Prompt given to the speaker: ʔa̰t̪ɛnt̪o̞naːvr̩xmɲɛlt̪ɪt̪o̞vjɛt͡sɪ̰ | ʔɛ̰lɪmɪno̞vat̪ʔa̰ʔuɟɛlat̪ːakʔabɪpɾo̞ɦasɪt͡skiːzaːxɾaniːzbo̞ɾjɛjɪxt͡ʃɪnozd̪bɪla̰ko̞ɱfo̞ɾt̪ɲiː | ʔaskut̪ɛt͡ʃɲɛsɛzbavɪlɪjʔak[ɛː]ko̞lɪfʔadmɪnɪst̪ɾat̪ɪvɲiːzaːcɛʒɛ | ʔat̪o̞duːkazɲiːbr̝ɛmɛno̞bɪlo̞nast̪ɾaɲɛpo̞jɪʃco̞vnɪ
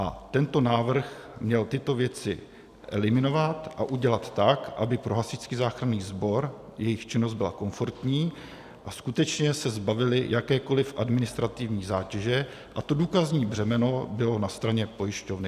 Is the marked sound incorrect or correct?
correct